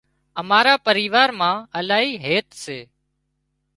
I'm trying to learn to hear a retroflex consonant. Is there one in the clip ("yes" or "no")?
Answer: no